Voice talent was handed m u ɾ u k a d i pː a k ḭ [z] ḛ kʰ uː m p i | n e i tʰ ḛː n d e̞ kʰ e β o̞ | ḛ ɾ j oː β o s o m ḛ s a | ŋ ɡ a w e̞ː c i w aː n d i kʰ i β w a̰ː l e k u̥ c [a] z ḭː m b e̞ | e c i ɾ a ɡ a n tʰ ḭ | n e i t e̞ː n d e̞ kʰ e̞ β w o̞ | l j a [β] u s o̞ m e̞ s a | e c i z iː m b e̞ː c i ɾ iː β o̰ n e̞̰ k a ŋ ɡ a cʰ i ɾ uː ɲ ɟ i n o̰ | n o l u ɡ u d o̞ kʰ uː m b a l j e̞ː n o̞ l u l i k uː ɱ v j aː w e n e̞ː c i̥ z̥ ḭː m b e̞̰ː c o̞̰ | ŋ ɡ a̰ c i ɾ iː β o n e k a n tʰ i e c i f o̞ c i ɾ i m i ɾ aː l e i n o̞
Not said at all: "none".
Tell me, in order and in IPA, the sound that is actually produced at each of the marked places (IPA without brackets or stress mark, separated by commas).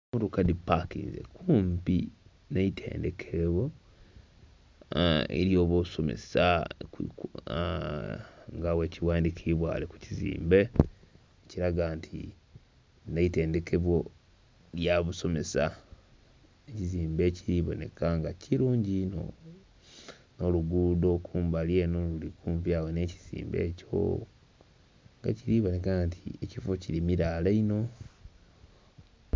z, i, β